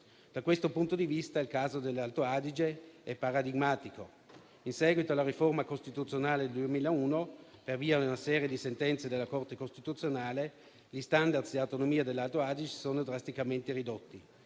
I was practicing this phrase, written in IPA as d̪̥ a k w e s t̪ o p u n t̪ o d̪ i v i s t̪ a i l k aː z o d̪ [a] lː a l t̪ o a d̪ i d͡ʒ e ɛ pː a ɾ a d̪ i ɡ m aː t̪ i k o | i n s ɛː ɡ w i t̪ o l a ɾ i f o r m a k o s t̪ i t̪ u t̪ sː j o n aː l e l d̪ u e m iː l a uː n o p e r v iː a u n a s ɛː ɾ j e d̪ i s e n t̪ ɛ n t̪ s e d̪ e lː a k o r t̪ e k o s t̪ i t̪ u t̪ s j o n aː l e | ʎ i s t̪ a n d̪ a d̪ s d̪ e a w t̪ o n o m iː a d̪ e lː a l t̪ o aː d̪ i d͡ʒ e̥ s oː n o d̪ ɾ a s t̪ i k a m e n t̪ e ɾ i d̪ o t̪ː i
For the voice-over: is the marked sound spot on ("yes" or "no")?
no